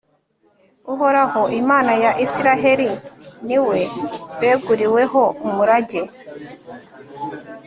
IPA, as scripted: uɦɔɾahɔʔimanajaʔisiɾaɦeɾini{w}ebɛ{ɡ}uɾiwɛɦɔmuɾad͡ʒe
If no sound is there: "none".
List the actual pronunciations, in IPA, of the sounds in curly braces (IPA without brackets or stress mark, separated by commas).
w, ɡ